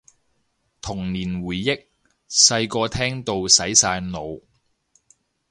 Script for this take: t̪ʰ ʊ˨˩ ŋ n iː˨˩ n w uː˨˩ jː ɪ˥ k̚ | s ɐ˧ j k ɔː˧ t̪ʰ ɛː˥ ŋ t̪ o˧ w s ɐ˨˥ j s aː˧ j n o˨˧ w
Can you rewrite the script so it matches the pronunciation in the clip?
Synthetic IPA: t̪ʰ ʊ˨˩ ŋ n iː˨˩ n w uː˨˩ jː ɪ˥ k̚ | s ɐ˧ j k ɔː˧ t̪ʰ ɛː˥ ŋ t̪ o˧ w s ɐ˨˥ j s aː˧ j n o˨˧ w

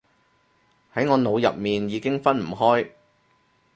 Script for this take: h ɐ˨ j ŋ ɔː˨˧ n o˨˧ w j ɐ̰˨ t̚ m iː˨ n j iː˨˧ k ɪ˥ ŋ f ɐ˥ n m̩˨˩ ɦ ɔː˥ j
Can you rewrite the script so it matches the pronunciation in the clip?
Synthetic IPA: h ɐ˨˥ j ŋ ɔː˨˧ n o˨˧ w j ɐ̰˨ p̚ m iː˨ n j iː˨˧ k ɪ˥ ŋ f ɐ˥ n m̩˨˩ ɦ ɔː˥ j

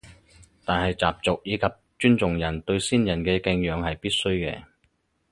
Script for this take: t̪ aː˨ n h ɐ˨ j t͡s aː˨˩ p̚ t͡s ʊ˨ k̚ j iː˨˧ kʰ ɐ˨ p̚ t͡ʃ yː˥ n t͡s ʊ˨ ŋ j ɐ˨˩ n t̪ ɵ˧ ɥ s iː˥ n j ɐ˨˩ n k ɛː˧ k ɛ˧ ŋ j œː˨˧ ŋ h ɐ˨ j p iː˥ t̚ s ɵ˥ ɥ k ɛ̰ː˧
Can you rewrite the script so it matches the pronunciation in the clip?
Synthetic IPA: t̪ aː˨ n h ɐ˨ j t͡s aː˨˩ p̚ t͡s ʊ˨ k̚ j iː˨˧ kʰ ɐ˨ p̚ t͡ʃ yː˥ n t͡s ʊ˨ ŋ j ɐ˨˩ n t̪ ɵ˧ ɥ s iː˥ n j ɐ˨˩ n k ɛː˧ k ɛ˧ ŋ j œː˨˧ ŋ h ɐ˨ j p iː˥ t̚ s ɵ˥ ɥ k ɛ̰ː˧

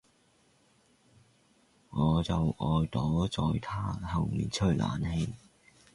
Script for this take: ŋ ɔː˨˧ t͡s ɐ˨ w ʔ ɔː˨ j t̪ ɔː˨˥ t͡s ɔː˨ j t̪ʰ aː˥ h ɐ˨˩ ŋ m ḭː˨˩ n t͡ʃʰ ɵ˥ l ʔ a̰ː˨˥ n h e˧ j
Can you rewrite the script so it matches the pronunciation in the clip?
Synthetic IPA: ŋ ɔː˨˧ t͡s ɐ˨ w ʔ ɔː˨ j t̪ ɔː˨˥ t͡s ɔː˨ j t̪ʰ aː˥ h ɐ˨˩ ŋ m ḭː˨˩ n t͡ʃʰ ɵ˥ l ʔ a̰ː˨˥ n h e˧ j

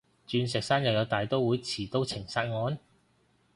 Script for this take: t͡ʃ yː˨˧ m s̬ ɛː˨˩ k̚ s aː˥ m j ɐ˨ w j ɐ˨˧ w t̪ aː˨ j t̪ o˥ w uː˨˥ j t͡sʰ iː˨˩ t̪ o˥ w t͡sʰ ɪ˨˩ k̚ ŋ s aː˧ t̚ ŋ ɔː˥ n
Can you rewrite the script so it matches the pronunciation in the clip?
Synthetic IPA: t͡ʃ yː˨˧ n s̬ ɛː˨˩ k̚ s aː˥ n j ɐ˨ w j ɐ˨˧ w t̪ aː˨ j t̪ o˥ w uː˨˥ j t͡sʰ iː˨˩ t̪ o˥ w t͡sʰ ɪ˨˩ ŋ s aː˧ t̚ ŋ ɔː˨˧˥ n

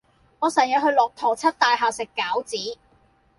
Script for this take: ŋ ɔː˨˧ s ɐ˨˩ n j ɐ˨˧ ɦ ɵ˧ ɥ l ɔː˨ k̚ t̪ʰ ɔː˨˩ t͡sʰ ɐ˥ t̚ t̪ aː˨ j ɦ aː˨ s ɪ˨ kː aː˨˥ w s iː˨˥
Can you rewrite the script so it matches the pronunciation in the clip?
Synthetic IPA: ŋ ɔː˨˧ s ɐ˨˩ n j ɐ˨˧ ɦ ɵ˧ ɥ l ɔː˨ k̚ t̪ʰ ɔː˨˩ t͡sʰ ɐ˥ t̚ t̪ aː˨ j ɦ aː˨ s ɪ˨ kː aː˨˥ w t͡s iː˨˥

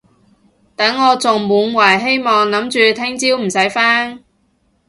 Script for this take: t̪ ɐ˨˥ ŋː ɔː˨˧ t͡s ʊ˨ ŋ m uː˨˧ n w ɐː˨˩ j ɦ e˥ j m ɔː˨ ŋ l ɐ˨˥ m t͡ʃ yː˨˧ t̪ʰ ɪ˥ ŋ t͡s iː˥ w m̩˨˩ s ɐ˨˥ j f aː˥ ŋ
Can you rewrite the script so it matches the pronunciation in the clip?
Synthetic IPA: t̪ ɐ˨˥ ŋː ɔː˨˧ t͡s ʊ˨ ŋ m uː˨˧ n w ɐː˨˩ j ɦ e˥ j m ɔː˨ ŋ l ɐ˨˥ m t͡ʃ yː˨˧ t̪ʰ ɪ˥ ŋ t͡s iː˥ w m̩˨˩ s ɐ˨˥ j f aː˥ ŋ

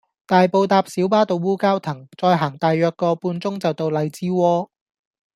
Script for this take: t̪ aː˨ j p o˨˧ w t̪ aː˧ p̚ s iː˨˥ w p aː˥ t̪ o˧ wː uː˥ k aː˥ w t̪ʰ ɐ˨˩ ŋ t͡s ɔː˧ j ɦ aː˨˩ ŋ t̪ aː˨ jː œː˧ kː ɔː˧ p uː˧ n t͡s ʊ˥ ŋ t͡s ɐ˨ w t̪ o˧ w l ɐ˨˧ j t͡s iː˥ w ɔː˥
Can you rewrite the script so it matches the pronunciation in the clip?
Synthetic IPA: t̪ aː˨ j p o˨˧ w t̪ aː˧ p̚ s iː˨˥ w p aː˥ t̪ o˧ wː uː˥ k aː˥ w t̪ʰ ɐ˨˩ ŋ t͡s ɔː˧ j ɦ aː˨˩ ŋ t̪ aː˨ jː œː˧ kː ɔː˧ p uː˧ n t͡s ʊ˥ ŋ t͡s ɐ˨ w t̪ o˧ w l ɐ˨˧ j t͡s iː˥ w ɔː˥

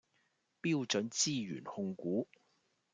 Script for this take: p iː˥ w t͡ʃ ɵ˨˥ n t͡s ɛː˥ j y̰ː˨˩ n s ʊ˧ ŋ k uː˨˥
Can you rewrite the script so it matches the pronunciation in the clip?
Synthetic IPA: p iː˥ w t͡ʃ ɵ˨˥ n t͡s iː˥ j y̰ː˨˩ n h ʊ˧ ŋ k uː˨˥

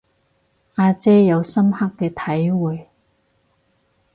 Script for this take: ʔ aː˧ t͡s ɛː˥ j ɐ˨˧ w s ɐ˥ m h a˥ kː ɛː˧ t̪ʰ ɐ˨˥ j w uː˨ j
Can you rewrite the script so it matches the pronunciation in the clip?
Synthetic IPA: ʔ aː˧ t͡s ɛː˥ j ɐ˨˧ w s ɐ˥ m h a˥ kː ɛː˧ t̪ʰ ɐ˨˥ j w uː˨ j

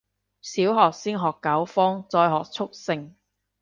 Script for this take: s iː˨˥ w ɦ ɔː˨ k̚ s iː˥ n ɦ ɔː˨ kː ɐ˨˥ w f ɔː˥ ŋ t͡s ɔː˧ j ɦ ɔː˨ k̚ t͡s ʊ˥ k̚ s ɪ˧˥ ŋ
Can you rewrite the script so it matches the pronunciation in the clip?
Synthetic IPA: s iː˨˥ w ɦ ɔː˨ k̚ s iː˥ n ɦ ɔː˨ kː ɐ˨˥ w f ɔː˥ ŋ t͡s ɔː˧ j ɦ ɔː˨ k̚ t͡sʰ ʊ˥ k̚ s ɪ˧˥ ŋ

